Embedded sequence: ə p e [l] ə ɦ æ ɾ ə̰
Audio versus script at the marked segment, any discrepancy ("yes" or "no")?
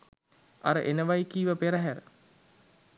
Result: yes